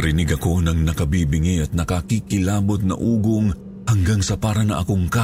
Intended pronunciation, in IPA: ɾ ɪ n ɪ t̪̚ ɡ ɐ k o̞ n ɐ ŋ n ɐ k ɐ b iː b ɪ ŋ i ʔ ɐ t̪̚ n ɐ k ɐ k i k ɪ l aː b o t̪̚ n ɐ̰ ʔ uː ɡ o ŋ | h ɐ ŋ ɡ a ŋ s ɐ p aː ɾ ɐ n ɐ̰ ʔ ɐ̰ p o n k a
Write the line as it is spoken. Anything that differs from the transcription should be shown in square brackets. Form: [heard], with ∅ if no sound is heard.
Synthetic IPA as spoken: ɾ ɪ n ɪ [∅] ɡ ɐ k o̞ n ɐ ŋ n ɐ k ɐ b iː b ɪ ŋ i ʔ ɐ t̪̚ n ɐ k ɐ k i k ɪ l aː b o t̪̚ n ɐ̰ ʔ uː ɡ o ŋ | h ɐ ŋ ɡ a ŋ s ɐ p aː ɾ ɐ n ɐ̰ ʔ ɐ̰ [k] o [ŋ] k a